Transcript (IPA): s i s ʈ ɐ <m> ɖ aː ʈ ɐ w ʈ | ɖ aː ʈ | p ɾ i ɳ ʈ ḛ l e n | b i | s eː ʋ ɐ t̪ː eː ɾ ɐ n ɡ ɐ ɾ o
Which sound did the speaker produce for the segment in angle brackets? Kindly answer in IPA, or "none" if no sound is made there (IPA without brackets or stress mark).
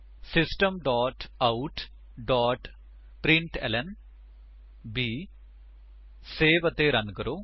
m